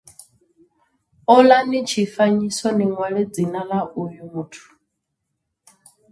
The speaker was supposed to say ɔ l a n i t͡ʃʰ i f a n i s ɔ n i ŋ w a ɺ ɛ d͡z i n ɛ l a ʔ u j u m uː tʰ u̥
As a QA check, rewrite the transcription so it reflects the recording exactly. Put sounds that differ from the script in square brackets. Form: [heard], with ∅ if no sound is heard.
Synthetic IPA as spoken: ɔ l a n i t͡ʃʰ i f a [ɲ] i s ɔ n i ŋ w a ɺ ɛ d͡z i n [a] l a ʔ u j u m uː tʰ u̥